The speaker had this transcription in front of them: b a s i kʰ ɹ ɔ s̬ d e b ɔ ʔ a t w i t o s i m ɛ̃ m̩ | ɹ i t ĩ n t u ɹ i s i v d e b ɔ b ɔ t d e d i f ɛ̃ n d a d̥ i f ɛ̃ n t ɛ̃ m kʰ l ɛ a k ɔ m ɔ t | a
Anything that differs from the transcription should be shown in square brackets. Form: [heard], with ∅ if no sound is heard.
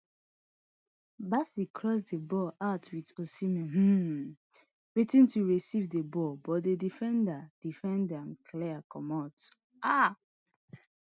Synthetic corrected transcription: b a s i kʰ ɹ ɔ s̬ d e b ɔ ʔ a t w i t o s i m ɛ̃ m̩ | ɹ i t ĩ n t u ɹ i s i v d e b ɔ b ɔ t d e d i f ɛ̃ n d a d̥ i f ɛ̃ n [d] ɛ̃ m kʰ l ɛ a k ɔ m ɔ t | a